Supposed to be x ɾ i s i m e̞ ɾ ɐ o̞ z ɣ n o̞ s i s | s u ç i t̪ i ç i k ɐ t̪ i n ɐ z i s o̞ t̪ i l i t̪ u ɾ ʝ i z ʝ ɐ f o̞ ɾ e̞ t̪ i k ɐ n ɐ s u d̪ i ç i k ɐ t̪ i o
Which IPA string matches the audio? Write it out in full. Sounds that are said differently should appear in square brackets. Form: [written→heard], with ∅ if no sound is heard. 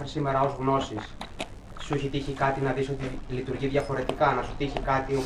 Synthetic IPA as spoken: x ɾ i s i m e̞ ɾ ɐ o̞ z ɣ n o̞ s i s | s u ç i t̪ i ç i k ɐ t̪ i n ɐ [z→ð] i s o̞ t̪ i l i t̪ u ɾ ʝ i [z→ð] ʝ ɐ f o̞ ɾ e̞ t̪ i k ɐ n ɐ s u [d̪→t̪] i ç i k ɐ t̪ i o